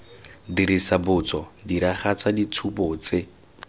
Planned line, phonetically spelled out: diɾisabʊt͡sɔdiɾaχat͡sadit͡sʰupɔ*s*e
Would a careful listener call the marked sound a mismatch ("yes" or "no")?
yes